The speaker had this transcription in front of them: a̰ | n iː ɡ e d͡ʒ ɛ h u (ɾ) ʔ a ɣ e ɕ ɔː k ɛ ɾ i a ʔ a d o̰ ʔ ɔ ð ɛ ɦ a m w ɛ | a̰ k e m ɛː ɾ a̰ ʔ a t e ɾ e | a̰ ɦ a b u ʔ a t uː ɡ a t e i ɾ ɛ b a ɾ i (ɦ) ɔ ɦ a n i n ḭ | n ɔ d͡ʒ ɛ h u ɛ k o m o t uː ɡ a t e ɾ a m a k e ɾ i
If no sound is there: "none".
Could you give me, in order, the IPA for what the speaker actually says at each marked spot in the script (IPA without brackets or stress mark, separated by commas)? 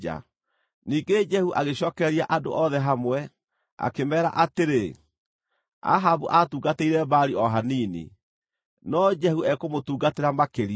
none, none